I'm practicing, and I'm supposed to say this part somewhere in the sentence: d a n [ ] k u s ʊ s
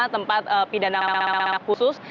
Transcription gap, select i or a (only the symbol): a